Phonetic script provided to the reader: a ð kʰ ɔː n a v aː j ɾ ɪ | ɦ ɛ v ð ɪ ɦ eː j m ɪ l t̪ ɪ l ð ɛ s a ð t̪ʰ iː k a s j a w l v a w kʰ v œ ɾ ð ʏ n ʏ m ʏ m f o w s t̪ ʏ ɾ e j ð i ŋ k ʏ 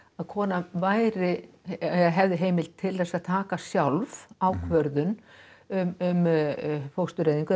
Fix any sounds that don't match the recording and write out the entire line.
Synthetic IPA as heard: a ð kʰ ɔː n a v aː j ɾ ɪ | ɦ ɛ v ð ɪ ɦ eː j m ɪ l t̪ʰ ɪ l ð ɛ s a ð t̪ʰ aː k a s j a w l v a w kʰ v œ ɾ ð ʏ n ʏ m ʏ m f o w s t̪ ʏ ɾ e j ð i ŋ k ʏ